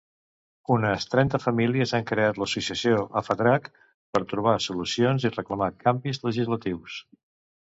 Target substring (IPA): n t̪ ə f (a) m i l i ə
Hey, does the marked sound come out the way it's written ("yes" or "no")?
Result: no